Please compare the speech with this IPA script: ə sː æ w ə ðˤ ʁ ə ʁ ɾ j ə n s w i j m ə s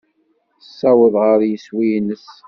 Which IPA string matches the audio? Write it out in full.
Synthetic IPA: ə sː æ w ə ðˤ ʁ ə ɾ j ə s w i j n ə s